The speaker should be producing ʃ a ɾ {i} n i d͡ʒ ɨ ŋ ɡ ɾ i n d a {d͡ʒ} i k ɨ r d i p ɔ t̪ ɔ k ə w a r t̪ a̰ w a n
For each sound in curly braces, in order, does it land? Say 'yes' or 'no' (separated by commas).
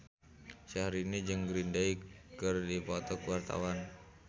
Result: yes, no